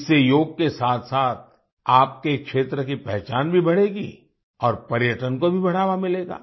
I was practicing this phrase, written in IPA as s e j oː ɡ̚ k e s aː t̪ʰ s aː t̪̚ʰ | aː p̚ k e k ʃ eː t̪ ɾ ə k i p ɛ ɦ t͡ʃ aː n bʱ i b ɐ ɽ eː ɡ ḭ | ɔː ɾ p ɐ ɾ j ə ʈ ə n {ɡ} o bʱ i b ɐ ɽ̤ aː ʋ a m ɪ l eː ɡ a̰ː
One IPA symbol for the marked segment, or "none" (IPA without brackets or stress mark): k